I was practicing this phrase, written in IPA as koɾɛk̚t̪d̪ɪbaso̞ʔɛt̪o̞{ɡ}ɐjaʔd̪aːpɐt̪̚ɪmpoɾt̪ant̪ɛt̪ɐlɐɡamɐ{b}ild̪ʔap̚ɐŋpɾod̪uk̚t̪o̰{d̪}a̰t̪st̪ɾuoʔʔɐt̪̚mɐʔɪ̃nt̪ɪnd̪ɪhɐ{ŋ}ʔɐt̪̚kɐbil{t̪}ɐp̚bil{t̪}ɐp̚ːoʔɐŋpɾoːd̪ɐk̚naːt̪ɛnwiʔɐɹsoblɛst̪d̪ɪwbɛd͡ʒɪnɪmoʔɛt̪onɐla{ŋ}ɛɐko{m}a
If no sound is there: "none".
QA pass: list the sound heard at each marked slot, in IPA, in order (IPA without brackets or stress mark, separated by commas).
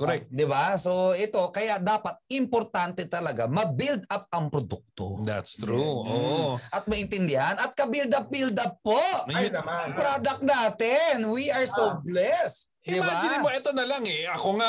k, b, d̪, n, d̪, d̪, ŋ, ŋ